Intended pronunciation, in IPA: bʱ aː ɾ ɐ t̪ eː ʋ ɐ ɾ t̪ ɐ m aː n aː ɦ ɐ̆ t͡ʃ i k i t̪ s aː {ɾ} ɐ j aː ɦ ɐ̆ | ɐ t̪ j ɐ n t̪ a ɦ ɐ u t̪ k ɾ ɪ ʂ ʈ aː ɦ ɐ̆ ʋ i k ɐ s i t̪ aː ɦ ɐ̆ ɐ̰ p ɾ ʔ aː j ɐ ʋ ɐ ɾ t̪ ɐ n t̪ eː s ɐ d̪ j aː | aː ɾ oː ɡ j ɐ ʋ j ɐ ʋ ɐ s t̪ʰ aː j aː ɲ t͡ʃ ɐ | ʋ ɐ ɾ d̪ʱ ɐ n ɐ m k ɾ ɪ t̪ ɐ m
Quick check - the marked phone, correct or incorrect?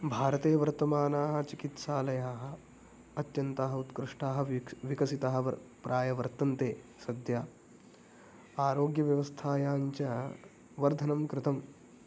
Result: incorrect